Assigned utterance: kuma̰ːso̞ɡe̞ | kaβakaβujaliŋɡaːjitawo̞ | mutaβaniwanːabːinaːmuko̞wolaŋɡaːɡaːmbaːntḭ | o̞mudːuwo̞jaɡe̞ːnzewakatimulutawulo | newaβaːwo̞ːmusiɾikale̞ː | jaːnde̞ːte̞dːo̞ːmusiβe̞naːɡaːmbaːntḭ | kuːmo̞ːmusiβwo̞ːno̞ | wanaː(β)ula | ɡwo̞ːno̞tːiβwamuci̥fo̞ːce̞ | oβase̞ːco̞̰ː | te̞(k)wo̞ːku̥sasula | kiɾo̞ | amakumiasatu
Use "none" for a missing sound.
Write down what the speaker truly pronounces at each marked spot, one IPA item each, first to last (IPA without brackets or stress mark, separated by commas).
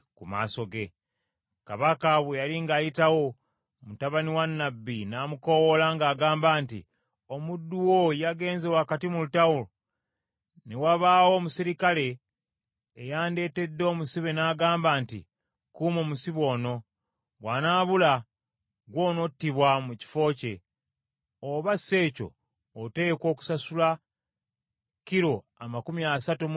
β, k